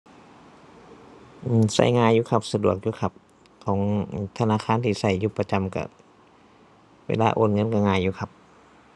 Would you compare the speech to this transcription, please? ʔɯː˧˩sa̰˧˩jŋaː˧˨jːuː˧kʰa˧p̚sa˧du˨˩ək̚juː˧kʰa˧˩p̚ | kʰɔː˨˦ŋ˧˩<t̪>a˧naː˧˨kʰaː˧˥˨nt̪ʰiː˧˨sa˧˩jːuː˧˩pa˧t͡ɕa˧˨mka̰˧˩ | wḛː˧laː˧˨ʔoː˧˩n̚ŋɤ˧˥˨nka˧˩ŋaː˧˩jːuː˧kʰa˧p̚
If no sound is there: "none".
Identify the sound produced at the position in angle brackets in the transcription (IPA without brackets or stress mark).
t̪ʰ